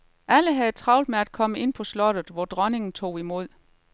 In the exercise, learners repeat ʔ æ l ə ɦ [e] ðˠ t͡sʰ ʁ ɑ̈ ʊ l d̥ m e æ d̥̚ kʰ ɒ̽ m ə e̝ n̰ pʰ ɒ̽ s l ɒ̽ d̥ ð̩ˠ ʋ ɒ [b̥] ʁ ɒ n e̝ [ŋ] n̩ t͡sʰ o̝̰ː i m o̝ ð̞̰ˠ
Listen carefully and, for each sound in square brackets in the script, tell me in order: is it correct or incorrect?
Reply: incorrect, incorrect, correct

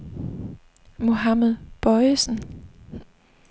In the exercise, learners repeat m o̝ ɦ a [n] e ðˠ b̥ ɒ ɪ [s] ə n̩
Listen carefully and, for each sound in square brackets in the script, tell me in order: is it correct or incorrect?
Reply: incorrect, correct

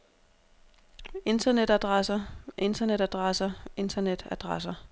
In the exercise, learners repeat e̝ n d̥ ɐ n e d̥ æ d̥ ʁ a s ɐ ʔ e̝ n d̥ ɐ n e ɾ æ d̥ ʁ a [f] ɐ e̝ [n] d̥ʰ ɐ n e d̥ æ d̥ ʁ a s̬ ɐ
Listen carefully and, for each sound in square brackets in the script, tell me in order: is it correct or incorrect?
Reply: incorrect, correct

